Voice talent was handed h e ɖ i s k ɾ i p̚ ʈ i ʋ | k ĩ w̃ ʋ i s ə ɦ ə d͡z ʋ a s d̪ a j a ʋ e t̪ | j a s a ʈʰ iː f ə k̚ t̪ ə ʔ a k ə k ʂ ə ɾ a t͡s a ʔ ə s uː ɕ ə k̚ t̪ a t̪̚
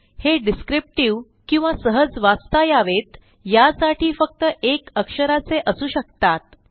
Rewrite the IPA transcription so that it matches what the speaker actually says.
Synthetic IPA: h e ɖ i s k ɾ i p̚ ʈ i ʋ | k ĩ w̃ ʋ a s ə ɦ ə d͡z ʋ a s t̪ a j a ʋ e t̪ | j a s a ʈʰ iː f ə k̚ t̪ ə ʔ e k ə k ʂ ə ɾ a t͡s e ʔ ə s uː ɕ ə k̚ t̪ a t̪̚